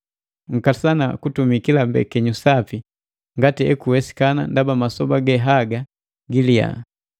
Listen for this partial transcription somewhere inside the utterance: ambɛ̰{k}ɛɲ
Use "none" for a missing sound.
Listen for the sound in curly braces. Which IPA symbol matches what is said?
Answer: k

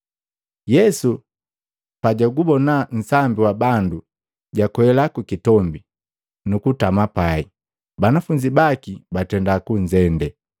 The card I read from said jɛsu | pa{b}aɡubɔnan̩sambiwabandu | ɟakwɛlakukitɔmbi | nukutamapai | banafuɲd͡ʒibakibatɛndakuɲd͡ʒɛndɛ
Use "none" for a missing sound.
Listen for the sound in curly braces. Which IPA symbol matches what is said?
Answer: ɟ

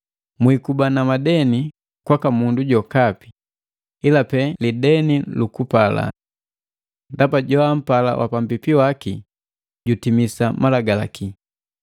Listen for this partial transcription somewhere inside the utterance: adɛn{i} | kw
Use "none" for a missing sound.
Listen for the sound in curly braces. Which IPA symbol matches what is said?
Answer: i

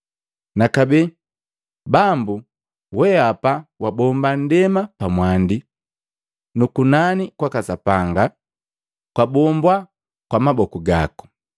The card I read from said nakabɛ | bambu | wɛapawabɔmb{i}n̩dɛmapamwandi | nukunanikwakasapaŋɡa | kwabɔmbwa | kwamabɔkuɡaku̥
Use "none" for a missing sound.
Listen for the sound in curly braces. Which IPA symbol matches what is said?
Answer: a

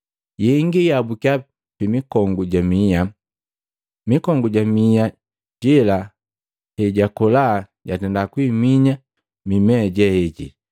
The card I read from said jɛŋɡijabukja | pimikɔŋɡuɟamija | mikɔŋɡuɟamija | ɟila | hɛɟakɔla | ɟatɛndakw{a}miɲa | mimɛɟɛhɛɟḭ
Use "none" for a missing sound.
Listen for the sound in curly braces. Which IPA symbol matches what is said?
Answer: i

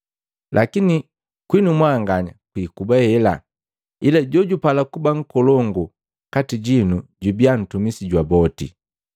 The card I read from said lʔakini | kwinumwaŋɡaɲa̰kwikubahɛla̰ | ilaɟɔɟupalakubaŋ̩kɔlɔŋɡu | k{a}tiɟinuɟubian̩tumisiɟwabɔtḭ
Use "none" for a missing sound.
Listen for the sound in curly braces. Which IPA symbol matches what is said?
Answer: a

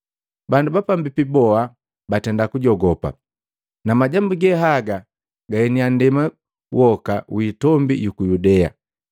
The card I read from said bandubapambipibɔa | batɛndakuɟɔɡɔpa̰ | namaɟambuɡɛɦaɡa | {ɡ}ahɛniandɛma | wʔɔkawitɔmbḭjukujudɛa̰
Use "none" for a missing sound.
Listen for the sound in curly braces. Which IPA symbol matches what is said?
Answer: ɡ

